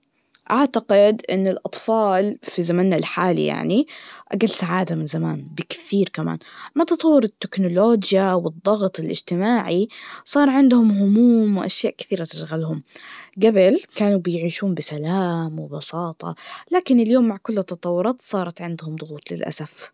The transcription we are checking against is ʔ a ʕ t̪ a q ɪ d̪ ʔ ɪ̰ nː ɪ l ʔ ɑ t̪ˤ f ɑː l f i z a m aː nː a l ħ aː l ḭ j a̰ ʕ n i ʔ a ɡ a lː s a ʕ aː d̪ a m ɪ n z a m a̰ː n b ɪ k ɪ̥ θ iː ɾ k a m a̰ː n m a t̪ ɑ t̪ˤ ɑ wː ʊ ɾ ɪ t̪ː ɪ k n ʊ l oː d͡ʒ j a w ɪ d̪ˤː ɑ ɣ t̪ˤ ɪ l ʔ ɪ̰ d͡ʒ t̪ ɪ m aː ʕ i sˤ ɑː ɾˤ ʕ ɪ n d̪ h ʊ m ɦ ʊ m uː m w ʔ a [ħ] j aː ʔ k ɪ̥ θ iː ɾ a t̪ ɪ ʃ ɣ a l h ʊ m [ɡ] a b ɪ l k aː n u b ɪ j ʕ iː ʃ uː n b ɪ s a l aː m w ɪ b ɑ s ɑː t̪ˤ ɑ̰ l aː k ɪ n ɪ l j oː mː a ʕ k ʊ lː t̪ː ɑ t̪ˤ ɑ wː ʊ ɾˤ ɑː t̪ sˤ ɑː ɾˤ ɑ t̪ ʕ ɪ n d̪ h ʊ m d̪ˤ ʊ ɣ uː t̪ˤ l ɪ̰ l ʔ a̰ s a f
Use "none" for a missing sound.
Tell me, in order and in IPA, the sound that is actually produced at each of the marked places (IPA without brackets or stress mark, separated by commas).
ʃ, ɡ